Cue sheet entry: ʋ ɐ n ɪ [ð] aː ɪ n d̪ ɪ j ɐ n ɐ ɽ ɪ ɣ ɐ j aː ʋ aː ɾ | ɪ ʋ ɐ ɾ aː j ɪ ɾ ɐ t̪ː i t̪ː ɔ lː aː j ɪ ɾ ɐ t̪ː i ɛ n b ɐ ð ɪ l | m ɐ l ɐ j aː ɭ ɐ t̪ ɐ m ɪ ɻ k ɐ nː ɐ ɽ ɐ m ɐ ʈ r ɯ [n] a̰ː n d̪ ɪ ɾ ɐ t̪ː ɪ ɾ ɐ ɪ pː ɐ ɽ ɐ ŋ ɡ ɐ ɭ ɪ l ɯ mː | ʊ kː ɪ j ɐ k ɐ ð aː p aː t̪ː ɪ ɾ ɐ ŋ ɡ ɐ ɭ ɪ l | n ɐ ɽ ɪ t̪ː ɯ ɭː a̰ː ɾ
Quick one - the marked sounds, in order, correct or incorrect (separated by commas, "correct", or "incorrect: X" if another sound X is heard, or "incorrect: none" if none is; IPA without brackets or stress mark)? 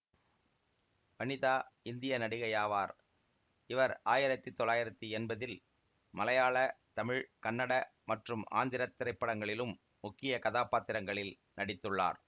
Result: correct, incorrect: m